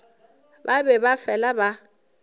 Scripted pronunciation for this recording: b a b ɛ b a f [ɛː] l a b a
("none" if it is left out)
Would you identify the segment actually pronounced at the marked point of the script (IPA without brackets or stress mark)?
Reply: ɛ